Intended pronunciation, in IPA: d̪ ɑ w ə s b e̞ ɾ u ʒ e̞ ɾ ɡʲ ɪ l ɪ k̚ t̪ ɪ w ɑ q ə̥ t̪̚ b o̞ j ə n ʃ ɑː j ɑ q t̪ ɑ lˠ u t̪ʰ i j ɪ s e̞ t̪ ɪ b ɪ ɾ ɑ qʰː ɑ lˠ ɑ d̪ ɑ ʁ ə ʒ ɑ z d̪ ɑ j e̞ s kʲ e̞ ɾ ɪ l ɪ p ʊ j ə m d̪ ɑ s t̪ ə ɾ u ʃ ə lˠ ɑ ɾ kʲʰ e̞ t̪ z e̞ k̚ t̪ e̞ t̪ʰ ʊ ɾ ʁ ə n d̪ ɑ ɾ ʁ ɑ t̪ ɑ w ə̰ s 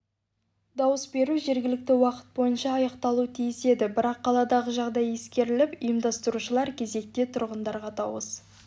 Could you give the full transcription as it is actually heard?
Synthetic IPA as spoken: d̪ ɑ w ə s b e̞ ɾ u ʒ e̞ ɾ ɡʲ ɪ l ɪ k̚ t̪ ɪ w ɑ q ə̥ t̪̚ b o̞ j ə n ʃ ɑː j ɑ q t̪ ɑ lˠ u t̪ʰ i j ɪ s e̞ d̪ ɪ b ɪ ɾ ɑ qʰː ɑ lˠ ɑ d̪ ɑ ʁ ə ʒ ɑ ʁ d̪ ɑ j e̞ s kʲ e̞ ɾ ɪ l ɪ p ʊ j ə m d̪ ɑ s t̪ ə ɾ u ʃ ə lˠ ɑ ɾ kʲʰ e̞ z e̞ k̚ t̪ e̞ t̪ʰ ʊ ɾ ʁ ə n d̪ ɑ ɾ ʁ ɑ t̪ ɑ w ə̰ s

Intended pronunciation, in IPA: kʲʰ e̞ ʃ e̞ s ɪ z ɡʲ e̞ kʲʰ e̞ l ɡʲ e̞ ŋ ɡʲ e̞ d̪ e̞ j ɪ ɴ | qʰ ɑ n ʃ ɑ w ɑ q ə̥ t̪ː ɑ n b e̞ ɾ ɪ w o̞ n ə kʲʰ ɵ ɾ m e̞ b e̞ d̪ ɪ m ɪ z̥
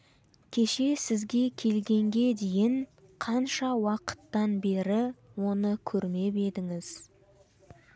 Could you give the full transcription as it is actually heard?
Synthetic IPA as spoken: kʲʰ e̞ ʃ e̞ s ɪ z ɡʲ e̞ kʲʰ e̞ l ɡʲ e̞ ŋ ɡʲ e̞ d̪ e̞ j ɪ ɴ | qʰ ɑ n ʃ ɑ w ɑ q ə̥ t̪ː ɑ n b e̞ ɾ ɪ w o̞ n ə kʲʰ ɵ ɾ m e̞ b e̞ d̪ ɪ ŋ ɪ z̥

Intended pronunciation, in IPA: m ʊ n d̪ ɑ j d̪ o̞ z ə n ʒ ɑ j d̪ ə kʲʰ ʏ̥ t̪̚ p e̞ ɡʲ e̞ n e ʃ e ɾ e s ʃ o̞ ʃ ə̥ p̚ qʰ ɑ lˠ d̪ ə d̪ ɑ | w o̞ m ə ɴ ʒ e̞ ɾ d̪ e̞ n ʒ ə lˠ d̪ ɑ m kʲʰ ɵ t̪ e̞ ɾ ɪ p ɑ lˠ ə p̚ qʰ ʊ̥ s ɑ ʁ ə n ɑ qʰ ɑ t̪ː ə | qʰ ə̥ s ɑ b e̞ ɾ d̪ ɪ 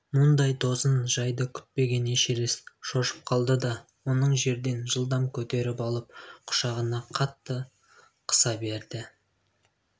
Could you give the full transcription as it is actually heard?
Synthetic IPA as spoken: m ʊ n d̪ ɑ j d̪ o̞ z ə n ʒ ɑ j d̪ ə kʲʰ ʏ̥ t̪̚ p e̞ ɡʲ e̞ n e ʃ e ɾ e s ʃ o̞ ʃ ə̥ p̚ qʰ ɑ lˠ d̪ ə d̪ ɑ | w o̞ n ə ɴ ʒ e̞ ɾ d̪ e̞ n ʒ ə lˠ d̪ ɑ m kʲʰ ɵ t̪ e̞ ɾ ɪ p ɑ lˠ ə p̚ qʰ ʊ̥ ʃ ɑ ʁ ə n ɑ qʰ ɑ t̪ː ə | qʰ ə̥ s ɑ b e̞ ɾ d̪ ɪ

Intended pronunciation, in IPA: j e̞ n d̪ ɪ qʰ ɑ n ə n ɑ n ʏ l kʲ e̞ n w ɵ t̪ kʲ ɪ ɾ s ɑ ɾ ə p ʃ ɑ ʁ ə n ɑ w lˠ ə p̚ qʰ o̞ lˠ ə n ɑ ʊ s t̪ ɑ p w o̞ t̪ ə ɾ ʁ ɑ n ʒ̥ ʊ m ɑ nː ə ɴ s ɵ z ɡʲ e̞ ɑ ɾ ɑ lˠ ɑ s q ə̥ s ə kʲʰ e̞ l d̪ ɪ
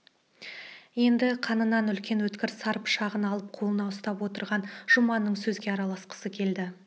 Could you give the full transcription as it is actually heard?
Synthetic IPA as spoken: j e̞ n d̪ ɪ qʰ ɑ n ə n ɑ n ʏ l kʲ e̞ n w ɵ t̪ kʲ ɪ ɾ s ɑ ɾ ə p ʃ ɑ ʁ ə n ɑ lˠ ə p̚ qʰ o̞ lˠ ə n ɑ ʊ s t̪ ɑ p w o̞ t̪ ə ɾ ʁ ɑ n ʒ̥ ʊ m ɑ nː ə ɴ s ɵ z ɡʲ e̞ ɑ ɾ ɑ lˠ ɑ s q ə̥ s ə kʲʰ e̞ l d̪ ɪ

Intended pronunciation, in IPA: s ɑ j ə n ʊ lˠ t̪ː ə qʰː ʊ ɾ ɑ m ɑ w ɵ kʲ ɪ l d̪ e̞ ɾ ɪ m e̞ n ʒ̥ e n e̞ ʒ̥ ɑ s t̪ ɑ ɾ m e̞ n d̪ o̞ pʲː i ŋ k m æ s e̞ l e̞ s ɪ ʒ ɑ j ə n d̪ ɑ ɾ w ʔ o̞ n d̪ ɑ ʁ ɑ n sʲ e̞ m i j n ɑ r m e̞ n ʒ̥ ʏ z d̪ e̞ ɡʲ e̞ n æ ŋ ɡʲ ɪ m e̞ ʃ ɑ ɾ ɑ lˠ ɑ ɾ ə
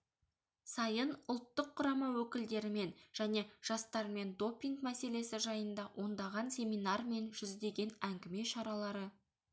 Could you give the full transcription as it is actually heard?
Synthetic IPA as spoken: s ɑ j ə n ʊ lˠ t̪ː ə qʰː ʊ ɾ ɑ m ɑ w ɵ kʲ ɪ l d̪ e̞ ɾ ɪ m e̞ n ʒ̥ æ n e̞ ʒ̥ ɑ s t̪ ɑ ɾ m e̞ n d̪ o̞ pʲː i ŋ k m æ s e̞ l e̞ s ɪ ʒ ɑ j ə n d̪ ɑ w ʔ o̞ n d̪ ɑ ʁ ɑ n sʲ e̞ m i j n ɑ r m e̞ n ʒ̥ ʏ z d̪ e̞ ɡʲ e̞ n æ ŋ ɡʲ ɪ m e̞ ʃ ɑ ɾ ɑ lˠ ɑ ɾ ə

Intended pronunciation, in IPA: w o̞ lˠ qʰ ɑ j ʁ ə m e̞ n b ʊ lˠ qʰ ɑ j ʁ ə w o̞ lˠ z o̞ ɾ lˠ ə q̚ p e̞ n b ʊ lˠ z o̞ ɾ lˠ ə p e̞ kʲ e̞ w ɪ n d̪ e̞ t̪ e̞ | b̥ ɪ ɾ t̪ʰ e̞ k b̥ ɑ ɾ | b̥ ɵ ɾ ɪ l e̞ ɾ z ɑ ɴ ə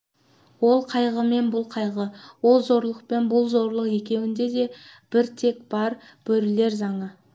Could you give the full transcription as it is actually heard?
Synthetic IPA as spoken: w o̞ lˠ qʰ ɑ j ʁ ə m e̞ n b ʊ lˠ qʰ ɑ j ʁ ə w o̞ lˠ z o̞ ɾ lˠ ə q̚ p e̞ n b ʊ lˠ z o̞ ɾ lˠ ə q e̞ kʲ e̞ w ɪ n d̪ e̞ d̪ e̞ | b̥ ɪ ɾ t̪ʰ e̞ k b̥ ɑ ɾ | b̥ ɵ ɾ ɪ l e̞ ɾ z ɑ ɴ ə

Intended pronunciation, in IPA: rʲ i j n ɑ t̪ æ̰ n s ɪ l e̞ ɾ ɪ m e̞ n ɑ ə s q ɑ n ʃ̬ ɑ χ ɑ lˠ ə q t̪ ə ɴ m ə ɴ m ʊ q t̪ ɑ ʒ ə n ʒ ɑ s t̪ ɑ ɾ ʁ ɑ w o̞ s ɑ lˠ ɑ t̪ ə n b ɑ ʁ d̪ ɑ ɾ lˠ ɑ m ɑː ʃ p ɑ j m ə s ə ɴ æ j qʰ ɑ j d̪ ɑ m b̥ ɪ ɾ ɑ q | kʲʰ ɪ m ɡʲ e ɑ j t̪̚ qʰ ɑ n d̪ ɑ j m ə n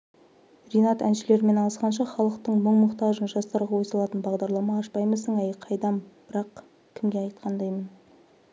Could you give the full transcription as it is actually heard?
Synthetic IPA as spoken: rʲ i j n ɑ t̪ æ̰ n ʃ ɪ l e̞ ɾ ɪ m e̞ n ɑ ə s q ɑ n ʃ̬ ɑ χ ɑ lˠ ə q t̪ ə ɴ m ə ɴ m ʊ q t̪ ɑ ʒ ə n ʒ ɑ s t̪ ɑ ɾ ʁ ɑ w o̞ s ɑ lˠ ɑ t̪ ə n b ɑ ʁ d̪ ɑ ɾ lˠ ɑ m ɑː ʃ p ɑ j m ə s ə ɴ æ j qʰ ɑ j d̪ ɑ m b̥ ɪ ɾ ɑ q | kʲʰ ɪ m ɡʲ e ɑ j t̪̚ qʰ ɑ n d̪ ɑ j m ə n

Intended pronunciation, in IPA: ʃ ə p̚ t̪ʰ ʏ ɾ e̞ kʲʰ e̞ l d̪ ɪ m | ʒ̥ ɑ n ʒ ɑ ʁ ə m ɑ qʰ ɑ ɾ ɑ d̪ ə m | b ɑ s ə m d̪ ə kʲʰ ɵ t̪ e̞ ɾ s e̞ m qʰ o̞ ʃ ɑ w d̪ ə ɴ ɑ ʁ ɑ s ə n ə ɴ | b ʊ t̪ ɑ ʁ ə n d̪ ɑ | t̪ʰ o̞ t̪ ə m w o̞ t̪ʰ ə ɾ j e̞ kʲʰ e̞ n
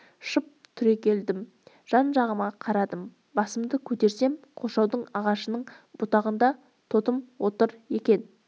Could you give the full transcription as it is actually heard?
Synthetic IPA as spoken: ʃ ə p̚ t̪ʰ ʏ ɾ e̞ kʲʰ e̞ l d̪ ɪ m | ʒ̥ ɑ n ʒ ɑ ʁ ə m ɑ qʰ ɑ ɾ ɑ d̪ ə m | b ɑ s ə m d̪ ə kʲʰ ɵ t̪ e̞ ɾ s e̞ m qʰ o̞ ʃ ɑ w d̪ ə ɴ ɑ ʁ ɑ ʃ ə n ə ɴ | b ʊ t̪ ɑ ʁ ə n d̪ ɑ | t̪ʰ o̞ t̪ ə m w o̞ t̪ ə ɾ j e̞ kʲ e̞ n

